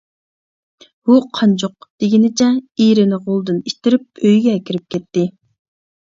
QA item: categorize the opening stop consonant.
aspirated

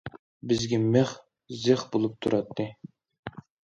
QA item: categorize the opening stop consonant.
plain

